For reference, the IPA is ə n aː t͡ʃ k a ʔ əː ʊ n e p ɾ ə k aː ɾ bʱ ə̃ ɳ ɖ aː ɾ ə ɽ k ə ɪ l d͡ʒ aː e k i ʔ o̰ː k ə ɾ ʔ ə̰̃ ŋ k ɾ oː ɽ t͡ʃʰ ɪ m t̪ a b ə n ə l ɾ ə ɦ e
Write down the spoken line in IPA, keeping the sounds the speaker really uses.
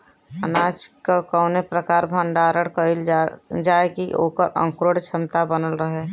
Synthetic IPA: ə n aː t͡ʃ k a k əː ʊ n e p ɾ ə k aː ɾ bʱ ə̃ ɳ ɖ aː ɾ ə ɽ k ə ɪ l d͡ʒ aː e k i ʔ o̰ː k ə ɾ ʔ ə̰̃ ŋ k ɾ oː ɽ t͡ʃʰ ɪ m t̪ a b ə n ə l ɾ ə ɦ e